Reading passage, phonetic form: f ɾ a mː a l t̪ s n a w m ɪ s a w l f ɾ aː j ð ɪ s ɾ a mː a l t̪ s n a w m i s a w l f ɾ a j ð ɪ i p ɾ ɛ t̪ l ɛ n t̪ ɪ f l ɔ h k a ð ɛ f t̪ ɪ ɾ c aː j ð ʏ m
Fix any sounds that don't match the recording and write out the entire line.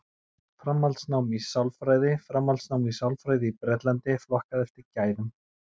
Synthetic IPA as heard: f ɾ a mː a l t̪ s n a w m i s a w l f ɾ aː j ð ɪ f ɾ a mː a l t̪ s n a w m i s a w l f ɾ a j ð ɪ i p ɾ ɛ t̪ l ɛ n t̪ ɪ f l ɔ h k a ð ɛ f t̪ ɪ ɾ c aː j ð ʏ m